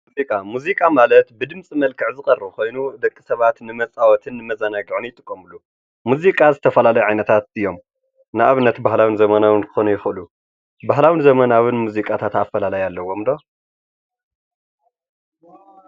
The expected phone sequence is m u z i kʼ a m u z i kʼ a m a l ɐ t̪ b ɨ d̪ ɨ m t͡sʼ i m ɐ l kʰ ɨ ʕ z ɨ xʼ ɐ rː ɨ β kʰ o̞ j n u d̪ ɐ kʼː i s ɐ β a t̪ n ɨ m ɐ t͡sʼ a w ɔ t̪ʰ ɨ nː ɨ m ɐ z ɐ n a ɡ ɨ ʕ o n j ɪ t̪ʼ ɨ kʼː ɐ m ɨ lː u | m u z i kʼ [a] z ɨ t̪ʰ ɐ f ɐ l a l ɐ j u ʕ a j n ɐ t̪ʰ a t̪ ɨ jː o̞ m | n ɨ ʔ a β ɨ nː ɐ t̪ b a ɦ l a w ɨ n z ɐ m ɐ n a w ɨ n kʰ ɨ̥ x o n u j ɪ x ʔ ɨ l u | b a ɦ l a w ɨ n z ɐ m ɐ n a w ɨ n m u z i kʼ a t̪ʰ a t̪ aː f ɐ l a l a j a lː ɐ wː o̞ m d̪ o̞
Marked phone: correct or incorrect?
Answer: correct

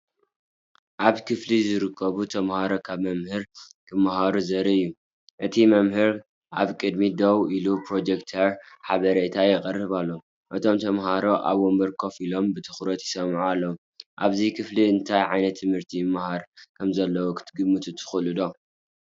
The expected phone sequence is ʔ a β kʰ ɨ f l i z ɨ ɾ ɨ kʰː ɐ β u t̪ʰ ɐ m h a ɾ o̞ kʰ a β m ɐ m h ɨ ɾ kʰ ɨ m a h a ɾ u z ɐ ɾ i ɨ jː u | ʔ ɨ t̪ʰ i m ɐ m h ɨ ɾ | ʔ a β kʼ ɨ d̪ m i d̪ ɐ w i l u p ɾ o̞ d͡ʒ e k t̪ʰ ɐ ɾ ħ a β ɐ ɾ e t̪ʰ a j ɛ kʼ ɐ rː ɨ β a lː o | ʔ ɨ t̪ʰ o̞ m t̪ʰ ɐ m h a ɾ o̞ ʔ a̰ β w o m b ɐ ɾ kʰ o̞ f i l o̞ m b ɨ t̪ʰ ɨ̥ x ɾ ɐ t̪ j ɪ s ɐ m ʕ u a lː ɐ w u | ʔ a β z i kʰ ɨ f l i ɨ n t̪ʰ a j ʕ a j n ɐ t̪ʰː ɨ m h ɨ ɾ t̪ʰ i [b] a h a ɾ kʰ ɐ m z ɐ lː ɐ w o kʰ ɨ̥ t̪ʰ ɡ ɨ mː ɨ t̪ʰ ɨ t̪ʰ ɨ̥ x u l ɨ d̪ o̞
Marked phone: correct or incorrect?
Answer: incorrect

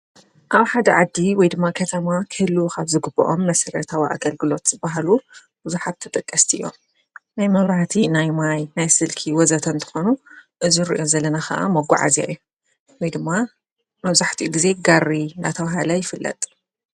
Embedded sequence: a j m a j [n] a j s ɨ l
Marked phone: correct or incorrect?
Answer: correct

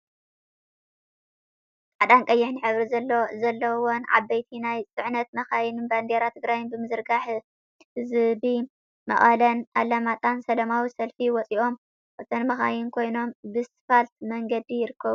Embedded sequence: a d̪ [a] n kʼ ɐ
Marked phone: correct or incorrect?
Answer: correct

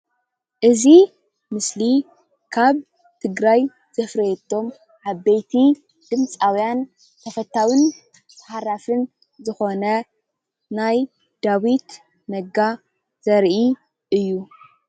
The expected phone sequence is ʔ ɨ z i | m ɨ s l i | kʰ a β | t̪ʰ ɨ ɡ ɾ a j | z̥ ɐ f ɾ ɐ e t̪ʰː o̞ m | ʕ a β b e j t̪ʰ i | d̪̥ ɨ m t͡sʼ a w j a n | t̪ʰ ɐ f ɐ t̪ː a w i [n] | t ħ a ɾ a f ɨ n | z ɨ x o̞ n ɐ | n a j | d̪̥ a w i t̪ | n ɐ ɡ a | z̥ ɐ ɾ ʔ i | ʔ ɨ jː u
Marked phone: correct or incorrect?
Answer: correct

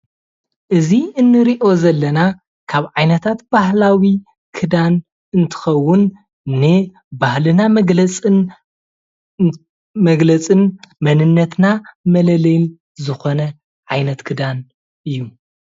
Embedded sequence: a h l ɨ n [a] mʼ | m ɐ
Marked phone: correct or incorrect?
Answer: correct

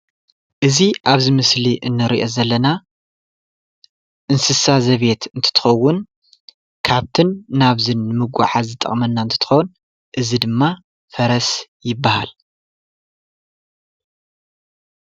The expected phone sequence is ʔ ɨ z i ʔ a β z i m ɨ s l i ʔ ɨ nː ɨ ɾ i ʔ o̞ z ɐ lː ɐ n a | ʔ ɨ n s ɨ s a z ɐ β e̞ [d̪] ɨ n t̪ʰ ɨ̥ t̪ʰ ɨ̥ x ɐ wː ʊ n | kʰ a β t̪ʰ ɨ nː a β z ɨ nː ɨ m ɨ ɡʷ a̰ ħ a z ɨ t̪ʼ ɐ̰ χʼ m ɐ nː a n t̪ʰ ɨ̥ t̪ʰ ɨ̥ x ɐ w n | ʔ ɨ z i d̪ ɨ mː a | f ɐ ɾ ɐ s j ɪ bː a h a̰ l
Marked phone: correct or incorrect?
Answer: incorrect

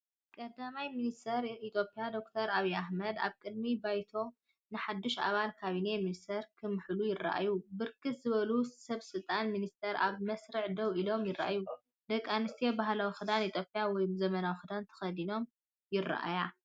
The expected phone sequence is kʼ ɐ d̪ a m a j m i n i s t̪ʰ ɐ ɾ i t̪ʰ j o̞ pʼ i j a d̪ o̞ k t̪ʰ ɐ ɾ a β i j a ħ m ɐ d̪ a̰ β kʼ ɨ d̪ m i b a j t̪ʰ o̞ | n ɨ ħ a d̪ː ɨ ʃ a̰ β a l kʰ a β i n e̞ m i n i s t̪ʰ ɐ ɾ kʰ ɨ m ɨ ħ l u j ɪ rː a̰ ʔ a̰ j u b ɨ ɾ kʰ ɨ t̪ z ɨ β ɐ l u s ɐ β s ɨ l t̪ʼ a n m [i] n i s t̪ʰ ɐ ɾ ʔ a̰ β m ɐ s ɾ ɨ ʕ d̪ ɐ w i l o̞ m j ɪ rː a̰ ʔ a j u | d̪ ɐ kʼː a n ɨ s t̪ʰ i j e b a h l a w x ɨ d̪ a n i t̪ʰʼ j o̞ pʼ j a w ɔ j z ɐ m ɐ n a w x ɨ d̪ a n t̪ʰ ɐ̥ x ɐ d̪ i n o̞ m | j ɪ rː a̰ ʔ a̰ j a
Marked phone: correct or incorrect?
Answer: correct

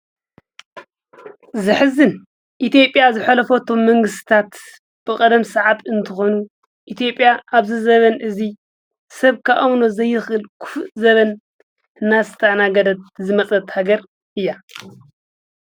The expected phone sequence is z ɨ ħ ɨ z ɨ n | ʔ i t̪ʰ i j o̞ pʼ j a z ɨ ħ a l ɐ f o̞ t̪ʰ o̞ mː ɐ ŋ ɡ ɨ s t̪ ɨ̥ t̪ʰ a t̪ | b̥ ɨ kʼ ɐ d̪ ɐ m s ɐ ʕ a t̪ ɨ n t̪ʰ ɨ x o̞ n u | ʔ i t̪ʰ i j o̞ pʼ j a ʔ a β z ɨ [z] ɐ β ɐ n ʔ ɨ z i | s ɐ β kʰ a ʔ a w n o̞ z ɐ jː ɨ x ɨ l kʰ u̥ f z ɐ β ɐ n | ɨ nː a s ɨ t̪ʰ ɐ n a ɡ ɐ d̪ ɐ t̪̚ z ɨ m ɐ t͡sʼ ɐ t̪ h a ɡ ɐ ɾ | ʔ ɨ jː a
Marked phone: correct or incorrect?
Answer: correct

